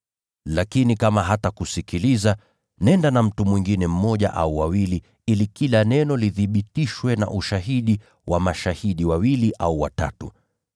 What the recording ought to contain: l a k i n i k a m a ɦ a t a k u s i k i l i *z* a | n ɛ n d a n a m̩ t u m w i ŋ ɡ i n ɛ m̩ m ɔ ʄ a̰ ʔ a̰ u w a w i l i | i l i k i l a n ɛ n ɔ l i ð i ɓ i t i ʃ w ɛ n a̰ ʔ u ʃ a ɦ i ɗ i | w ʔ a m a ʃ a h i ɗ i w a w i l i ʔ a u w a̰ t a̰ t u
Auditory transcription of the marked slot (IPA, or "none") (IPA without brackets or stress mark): z